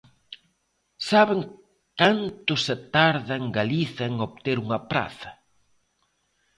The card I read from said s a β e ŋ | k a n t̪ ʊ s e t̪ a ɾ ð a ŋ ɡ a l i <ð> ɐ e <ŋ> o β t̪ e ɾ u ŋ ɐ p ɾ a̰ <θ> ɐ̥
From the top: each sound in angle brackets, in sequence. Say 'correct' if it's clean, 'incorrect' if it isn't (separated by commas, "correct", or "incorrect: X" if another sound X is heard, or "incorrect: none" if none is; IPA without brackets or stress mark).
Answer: incorrect: θ, correct, correct